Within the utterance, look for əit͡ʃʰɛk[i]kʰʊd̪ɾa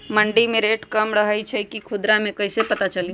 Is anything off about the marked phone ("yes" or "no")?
no